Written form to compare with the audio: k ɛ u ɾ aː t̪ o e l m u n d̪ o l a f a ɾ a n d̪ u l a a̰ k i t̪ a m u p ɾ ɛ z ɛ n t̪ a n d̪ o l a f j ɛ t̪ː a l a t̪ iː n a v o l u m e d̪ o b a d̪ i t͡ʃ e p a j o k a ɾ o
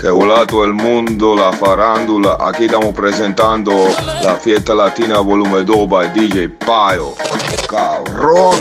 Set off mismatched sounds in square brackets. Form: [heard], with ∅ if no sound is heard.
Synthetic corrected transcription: k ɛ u [l] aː t̪ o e l m u n d̪ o l a f a ɾ a n d̪ u l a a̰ k i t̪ a m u p ɾ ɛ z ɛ n t̪ a n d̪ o l a f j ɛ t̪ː a l a t̪ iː n a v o l u m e d̪ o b a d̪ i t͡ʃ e p a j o k a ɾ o